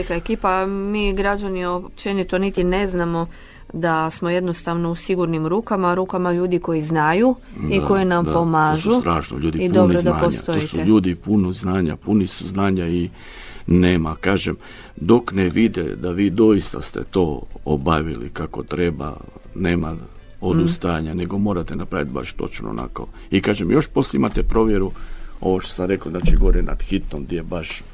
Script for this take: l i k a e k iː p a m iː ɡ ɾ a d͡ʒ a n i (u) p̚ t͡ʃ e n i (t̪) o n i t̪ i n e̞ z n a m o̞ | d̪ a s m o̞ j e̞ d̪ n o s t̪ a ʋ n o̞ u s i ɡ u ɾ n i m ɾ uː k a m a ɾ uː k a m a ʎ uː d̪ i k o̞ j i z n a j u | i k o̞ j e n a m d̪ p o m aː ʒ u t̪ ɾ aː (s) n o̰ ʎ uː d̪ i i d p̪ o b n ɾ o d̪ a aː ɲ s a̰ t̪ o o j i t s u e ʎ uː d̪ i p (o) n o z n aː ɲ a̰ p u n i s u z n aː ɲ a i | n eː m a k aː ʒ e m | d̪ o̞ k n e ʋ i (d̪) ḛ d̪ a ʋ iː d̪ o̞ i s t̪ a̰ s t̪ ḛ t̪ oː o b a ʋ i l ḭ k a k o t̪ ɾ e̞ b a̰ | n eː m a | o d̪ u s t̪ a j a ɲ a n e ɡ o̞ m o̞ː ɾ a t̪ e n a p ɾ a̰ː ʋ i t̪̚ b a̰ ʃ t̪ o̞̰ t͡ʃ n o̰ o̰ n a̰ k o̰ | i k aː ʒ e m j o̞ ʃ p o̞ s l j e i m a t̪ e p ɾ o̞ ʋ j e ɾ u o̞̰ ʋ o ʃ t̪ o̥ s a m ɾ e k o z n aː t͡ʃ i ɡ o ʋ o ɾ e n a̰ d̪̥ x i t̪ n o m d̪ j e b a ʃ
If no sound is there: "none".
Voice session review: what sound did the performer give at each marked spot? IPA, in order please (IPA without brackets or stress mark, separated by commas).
o, t̪, ʃ, u, d̪